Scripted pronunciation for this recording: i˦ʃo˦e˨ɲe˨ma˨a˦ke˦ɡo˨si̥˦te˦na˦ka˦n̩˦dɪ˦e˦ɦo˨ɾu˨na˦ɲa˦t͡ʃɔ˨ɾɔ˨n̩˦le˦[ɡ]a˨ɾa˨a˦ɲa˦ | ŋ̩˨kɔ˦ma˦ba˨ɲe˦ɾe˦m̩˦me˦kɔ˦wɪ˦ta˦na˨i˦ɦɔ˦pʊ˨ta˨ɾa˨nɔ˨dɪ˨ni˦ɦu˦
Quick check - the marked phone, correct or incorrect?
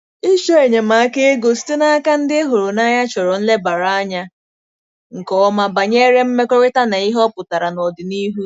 incorrect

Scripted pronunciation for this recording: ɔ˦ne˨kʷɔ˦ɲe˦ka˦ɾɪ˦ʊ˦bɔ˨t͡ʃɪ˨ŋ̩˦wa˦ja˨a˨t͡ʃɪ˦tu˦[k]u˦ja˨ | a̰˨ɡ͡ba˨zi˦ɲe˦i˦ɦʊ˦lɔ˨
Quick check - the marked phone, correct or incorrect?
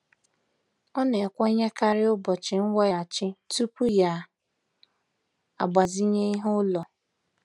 incorrect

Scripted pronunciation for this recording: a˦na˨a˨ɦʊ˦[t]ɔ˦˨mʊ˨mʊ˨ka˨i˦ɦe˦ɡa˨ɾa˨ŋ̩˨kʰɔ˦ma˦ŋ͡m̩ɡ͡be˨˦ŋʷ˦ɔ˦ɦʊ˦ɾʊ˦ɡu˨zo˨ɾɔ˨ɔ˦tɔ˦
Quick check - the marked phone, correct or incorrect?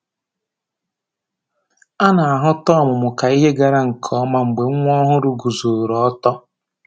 correct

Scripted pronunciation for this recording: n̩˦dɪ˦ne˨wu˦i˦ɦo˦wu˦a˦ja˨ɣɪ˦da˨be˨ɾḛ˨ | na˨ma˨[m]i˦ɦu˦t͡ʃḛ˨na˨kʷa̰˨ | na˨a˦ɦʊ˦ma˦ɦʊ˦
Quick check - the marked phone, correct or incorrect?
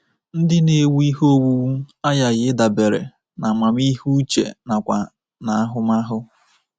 correct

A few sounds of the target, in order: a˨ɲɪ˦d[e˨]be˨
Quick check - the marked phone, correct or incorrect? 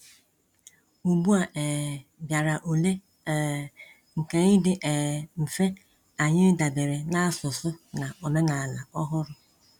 incorrect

